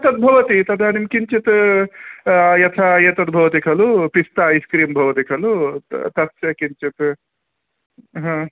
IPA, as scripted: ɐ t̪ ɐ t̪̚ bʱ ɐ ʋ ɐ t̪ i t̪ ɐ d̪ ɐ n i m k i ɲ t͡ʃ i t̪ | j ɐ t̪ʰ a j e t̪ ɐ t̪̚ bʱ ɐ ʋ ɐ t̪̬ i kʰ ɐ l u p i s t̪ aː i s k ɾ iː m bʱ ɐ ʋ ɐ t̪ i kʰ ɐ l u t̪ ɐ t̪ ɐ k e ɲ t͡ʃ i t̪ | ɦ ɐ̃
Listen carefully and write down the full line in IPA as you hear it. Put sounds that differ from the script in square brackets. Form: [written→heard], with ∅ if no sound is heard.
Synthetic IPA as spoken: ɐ t̪ ɐ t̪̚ bʱ ɐ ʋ ɐ t̪ i t̪ ɐ d̪ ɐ n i m k i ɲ t͡ʃ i t̪ | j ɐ t̪ʰ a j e t̪ ɐ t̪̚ bʱ ɐ ʋ ɐ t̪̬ i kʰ ɐ l u p i s t̪ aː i s k ɾ iː m bʱ ɐ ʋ ɐ t̪ i kʰ ɐ l u t̪ ɐ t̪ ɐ k [e→i] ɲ t͡ʃ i t̪ | ɦ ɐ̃